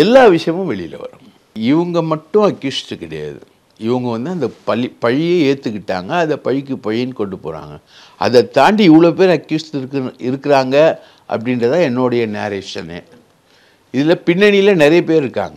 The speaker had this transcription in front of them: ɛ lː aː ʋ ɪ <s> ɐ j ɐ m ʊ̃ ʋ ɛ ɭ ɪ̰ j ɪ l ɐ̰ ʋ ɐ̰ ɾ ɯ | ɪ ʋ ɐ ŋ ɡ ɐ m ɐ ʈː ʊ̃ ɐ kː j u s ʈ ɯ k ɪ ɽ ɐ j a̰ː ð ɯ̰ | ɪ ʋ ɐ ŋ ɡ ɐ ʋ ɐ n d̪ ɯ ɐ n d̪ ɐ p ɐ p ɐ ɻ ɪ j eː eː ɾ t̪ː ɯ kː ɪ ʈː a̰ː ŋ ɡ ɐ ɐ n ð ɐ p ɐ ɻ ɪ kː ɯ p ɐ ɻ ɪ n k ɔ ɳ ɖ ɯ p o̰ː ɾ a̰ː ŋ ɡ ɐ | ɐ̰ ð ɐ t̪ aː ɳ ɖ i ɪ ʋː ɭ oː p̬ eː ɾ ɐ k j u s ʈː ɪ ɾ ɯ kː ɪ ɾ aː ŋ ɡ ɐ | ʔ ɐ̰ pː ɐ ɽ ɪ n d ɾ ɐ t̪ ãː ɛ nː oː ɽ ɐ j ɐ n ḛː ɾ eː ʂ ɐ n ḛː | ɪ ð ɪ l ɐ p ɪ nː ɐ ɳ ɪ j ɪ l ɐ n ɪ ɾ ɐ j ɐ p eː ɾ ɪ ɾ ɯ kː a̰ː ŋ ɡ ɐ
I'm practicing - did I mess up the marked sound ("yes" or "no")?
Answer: yes